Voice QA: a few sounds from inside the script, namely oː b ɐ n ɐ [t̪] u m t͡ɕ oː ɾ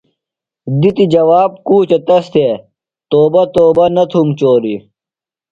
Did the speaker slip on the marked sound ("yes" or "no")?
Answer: yes